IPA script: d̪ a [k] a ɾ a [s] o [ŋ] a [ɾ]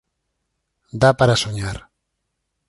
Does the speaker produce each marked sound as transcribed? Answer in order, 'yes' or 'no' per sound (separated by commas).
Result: no, yes, no, yes